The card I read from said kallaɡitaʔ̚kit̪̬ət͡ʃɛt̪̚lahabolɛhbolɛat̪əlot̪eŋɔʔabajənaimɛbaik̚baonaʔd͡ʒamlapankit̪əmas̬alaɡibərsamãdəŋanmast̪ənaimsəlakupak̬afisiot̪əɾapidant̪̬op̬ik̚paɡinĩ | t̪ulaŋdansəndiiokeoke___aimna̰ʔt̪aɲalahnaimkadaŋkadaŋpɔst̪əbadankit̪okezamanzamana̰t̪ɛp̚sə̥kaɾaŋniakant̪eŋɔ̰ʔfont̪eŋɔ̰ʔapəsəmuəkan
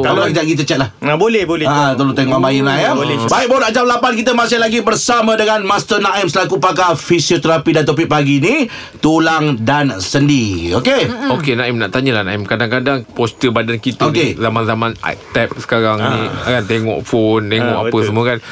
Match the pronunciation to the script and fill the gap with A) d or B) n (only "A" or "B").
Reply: B